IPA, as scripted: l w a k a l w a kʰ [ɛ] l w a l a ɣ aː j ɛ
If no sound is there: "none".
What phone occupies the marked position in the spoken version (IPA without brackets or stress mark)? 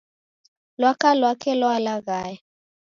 ɛ